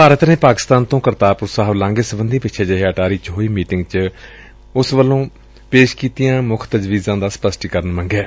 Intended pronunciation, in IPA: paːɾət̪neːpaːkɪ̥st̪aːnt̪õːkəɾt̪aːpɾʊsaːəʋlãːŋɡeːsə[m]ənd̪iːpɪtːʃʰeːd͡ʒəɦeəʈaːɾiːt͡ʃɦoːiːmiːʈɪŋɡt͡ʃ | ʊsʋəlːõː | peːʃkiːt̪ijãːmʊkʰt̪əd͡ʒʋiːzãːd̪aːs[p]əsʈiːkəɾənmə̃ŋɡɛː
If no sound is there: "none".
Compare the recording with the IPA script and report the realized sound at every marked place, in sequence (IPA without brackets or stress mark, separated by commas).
b, p